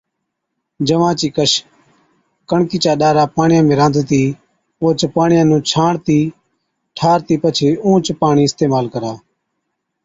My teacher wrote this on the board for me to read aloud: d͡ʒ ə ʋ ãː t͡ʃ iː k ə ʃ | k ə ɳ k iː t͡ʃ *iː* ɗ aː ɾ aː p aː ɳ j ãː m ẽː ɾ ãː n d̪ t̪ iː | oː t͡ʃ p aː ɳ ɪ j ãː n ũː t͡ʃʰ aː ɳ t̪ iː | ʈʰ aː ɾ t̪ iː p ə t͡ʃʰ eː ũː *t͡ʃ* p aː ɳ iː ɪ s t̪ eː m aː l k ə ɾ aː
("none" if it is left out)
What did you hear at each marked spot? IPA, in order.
aː, t͡ʃ

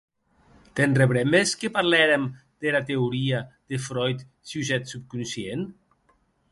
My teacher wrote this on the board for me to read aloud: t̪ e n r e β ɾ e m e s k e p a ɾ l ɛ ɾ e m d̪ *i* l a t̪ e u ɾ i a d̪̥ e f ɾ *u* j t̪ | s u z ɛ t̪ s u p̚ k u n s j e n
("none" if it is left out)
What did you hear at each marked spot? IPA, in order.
e, ɔ

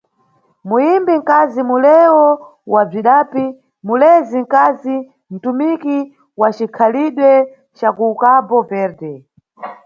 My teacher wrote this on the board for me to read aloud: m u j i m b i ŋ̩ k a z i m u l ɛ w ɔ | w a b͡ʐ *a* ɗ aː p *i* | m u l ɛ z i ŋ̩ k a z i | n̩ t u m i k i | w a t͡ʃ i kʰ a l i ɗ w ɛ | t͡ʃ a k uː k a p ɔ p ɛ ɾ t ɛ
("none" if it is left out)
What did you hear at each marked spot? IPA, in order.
i, i

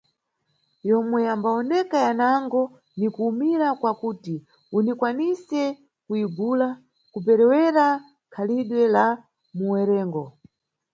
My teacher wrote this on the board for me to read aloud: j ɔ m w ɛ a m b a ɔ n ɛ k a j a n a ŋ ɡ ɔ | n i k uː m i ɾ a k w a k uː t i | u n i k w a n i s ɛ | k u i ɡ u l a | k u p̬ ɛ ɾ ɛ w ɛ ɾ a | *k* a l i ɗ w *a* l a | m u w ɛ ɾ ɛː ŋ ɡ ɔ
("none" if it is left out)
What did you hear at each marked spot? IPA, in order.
kʰ, ɛ

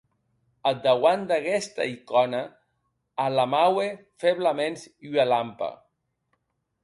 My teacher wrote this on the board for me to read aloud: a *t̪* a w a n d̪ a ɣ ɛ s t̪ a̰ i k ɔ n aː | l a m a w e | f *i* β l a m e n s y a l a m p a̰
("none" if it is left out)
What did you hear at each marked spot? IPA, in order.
d̪, e

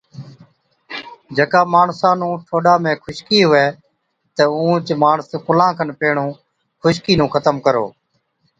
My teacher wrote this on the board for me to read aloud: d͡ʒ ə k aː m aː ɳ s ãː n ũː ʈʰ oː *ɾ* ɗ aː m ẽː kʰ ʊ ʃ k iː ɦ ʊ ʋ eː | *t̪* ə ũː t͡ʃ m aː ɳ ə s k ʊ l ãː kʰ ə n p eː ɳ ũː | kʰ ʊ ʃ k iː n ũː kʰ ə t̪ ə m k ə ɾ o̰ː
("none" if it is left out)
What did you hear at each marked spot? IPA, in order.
none, t̪

